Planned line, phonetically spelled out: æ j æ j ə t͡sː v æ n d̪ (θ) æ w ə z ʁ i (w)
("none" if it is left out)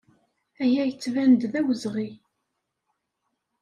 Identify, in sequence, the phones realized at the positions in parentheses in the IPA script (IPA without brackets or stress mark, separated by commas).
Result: ð, none